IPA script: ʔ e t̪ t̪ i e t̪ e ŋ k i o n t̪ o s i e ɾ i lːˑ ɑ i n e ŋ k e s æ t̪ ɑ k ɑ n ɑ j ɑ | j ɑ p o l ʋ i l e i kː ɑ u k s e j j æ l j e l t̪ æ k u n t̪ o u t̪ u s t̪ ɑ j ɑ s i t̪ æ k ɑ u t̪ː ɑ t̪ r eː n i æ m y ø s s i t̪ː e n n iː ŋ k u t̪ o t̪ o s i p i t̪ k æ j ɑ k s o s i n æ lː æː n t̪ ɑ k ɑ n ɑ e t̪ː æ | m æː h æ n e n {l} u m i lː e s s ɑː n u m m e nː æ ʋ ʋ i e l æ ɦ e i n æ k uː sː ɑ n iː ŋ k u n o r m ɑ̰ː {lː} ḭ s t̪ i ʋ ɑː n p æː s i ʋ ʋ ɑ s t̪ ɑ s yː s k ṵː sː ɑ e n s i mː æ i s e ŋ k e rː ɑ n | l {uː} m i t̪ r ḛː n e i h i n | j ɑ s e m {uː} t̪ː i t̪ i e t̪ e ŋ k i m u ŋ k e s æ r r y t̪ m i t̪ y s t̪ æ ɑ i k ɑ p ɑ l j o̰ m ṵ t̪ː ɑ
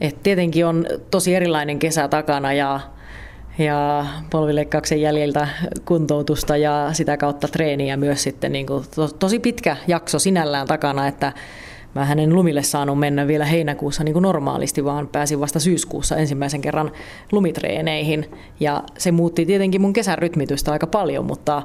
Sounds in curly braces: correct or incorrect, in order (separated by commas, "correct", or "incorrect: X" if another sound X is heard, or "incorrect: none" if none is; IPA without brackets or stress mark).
correct, incorrect: l, incorrect: u, correct